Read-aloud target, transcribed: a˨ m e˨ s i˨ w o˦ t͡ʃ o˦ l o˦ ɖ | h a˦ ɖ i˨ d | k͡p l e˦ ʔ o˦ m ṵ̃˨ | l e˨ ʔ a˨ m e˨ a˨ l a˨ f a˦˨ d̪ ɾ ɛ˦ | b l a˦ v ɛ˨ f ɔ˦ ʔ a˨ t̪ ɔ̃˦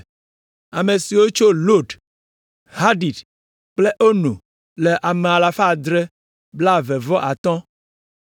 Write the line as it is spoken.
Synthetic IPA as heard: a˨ m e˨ s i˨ w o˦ t͡ʃ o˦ l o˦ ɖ | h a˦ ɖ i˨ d | k͡p l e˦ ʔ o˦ n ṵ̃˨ | l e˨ ʔ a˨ m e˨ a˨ l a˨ f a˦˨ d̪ ɾ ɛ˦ | b l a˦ v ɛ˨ v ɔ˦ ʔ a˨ t̪ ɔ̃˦